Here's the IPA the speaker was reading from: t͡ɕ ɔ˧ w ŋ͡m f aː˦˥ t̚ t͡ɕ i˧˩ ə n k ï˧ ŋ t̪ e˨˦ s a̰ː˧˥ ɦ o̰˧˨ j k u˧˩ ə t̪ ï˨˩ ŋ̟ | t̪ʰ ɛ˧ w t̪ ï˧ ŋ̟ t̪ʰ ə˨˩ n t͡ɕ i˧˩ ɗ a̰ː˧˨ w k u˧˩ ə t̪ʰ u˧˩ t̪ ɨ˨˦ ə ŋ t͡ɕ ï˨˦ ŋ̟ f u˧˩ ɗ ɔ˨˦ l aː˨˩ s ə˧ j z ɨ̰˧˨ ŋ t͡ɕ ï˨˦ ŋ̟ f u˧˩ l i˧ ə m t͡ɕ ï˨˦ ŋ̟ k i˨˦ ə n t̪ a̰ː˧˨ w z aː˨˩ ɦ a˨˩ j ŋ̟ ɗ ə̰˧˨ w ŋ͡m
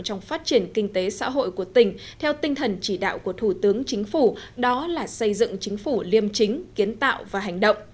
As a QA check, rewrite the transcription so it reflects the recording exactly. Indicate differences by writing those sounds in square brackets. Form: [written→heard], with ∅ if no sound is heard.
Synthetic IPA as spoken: t͡ɕ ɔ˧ w ŋ͡m f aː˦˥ t̚ t͡ɕ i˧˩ ə n k ï˧ ŋ t̪ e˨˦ s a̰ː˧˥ ɦ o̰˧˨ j k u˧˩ ə t̪ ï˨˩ ŋ̟ | t̪ʰ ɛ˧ w t̪ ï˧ ŋ̟ t̪ʰ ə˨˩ n t͡ɕ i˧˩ ɗ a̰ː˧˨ w k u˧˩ ə t̪ʰ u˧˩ t̪ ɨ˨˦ ə ŋ t͡ɕ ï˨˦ ŋ̟ f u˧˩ ɗ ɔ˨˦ l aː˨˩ s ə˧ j z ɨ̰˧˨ ŋ t͡ɕ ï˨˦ ŋ̟ f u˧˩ l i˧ ə m t͡ɕ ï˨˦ ŋ̟ k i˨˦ ə n t̪ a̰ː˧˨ w [z→v] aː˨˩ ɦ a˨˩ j ŋ̟ ɗ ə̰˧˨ w ŋ͡m

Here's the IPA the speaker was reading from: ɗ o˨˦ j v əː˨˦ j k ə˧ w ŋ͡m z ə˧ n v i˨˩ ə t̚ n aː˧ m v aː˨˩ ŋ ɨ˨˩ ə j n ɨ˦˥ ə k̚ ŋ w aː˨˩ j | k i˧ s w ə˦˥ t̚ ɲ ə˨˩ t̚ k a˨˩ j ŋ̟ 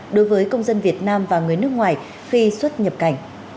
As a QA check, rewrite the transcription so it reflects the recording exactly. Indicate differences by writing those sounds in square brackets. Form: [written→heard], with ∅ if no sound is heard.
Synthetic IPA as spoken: ɗ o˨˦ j v əː˨˦ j k ə˧ w ŋ͡m z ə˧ n v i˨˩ ə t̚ n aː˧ m v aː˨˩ ŋ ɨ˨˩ ə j n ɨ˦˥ ə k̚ ŋ w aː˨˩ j | [k→x] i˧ s w ə˦˥ t̚ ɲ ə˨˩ [t̚→p̚] k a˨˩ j ŋ̟

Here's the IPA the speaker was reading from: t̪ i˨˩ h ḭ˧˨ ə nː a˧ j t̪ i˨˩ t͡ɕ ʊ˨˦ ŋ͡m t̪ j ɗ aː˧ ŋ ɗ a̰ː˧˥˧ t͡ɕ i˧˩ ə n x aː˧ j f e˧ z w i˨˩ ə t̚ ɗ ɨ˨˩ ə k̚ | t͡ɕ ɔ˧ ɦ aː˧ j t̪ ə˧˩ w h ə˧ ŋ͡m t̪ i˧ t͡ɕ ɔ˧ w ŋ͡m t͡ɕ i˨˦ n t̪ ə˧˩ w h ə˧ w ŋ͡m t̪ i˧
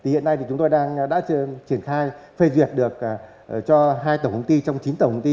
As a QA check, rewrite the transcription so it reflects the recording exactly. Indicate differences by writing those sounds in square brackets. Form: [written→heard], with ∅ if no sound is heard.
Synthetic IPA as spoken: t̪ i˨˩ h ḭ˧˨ ə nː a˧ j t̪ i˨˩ t͡ɕ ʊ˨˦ ŋ͡m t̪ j ɗ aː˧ ŋ ɗ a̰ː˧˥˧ t͡ɕ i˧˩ ə n x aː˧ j f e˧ z w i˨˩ ə t̚ ɗ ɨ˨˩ ə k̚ | t͡ɕ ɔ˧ ɦ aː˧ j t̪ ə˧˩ w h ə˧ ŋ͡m t̪ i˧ t͡ɕ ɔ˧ w ŋ͡m t͡ɕ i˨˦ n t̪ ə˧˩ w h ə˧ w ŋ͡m t̪ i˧

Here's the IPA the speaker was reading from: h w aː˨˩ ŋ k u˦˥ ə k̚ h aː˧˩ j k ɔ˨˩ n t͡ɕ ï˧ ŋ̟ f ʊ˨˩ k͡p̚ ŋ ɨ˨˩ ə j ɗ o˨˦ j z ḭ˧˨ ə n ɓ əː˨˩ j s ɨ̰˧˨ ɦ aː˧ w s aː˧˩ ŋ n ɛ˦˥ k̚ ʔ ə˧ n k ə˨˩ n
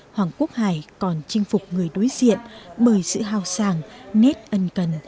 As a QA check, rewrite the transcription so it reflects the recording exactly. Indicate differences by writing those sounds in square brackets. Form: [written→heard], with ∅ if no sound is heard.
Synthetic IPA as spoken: h w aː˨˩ ŋ k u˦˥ ə k̚ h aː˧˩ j k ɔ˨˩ n t͡ɕ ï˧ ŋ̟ f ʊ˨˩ k͡p̚ ŋ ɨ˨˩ ə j ɗ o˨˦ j z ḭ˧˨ ə n ɓ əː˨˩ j s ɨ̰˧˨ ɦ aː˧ w s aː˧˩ ŋ n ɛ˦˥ [k̚→t̚] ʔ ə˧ n k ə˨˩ n

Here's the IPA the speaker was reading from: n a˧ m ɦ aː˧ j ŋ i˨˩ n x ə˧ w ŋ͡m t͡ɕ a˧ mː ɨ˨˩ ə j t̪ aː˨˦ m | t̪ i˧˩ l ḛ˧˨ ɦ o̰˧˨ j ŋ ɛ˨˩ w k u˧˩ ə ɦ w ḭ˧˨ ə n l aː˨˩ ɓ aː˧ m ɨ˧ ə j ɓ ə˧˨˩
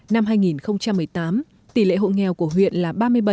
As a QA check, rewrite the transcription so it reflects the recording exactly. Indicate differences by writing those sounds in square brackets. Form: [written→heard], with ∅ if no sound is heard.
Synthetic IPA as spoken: n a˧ m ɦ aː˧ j ŋ i˨˩ n x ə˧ w ŋ͡m t͡ɕ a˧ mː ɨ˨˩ ə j t̪ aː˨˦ m | t̪ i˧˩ l ḛ˧˨ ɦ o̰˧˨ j ŋ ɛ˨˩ w k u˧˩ ə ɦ w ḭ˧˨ ə n l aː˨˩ ɓ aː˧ m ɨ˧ ə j ɓ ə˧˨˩

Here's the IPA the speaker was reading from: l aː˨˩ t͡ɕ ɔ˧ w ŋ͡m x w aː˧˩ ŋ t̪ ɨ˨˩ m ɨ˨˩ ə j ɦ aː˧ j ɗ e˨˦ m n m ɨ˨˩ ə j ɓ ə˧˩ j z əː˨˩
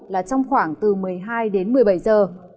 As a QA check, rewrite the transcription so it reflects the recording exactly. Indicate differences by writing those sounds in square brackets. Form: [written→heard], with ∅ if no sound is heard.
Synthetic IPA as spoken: l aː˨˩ t͡ɕ ɔ˧ w ŋ͡m x w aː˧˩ ŋ t̪ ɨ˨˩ m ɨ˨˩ ə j ɦ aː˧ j ɗ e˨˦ [m→∅] n m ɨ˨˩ ə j ɓ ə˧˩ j z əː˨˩

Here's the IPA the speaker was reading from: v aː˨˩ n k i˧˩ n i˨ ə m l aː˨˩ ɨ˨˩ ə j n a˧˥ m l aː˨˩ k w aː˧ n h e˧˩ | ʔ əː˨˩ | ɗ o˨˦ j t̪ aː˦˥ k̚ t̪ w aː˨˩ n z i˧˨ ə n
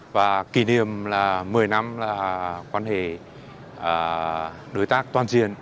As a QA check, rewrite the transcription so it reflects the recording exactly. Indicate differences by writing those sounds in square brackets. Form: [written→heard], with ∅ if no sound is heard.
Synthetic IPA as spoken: v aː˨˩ [n→∅] k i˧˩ n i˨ ə m l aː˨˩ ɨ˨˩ ə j n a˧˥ m l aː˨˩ k w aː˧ n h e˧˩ | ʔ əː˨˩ | ɗ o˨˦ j t̪ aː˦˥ k̚ t̪ w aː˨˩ n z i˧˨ ə n

